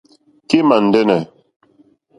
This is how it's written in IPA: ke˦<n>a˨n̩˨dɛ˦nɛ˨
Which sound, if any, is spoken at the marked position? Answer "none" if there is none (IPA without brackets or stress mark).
m